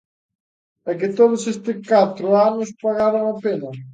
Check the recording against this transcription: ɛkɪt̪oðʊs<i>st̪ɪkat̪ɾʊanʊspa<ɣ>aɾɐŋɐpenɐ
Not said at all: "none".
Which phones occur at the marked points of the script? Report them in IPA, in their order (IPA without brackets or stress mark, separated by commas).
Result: e, ɣ